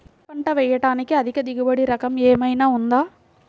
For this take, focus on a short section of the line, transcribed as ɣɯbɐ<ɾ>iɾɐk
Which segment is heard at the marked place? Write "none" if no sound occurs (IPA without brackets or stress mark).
ɽ